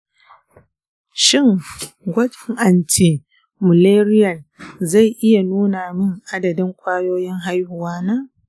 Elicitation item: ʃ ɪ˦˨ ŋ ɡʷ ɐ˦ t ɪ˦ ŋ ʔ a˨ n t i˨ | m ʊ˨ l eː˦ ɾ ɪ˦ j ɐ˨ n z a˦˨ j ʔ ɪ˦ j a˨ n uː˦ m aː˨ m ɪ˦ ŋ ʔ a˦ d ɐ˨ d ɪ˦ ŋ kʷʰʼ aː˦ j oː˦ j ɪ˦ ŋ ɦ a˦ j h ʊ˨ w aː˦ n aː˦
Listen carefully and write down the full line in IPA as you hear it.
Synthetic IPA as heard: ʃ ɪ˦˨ ŋ ɡʷ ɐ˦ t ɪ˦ ŋ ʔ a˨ n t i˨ | m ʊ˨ l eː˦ ɾ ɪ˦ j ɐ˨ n z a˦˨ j ʔ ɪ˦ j a˨ n uː˦ n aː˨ m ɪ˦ ŋ ʔ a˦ d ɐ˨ d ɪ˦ ŋ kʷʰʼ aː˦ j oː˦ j ɪ˦ ŋ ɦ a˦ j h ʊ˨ w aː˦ n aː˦